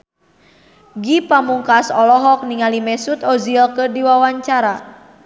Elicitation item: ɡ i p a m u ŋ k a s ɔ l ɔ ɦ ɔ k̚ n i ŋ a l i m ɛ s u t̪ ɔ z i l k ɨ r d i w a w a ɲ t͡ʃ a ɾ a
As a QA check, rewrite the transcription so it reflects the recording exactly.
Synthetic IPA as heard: ɡ i p a m u ŋ k a s ɔ l ɔ ɦ ɔ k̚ n i ŋ a l i m ɛ s u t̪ ɔ z i l k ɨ r d i w a w a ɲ t͡ʃ a ɾ a

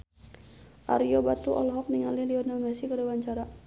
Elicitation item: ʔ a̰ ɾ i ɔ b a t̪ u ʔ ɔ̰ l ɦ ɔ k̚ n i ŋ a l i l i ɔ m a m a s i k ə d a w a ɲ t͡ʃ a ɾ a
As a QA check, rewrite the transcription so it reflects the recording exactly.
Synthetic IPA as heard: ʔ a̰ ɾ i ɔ b a t̪ u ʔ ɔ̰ l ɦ ɔ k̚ n i ŋ a l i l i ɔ n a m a s i k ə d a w a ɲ t͡ʃ a ɾ a

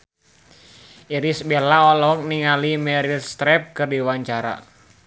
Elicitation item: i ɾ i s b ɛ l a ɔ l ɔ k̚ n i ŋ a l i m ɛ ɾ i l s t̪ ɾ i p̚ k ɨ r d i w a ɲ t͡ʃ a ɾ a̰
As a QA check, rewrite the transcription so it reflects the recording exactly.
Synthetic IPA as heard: i ɾ i s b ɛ l a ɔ l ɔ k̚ n i ŋ a l i m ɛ ɾ i l s t̪ ɾ ɛ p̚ k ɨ r d i w a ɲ t͡ʃ a ɾ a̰

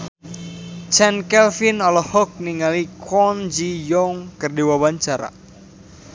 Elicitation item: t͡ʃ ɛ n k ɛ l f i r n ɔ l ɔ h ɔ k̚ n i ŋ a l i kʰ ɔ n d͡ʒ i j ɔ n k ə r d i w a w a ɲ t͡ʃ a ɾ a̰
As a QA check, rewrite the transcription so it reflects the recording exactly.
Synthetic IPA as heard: t͡ʃ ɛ n k ɛ l f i n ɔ l ɔ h ɔ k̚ n i ŋ a l i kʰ ɔ n d͡ʒ i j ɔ ŋ k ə r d i w a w a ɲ t͡ʃ a ɾ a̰

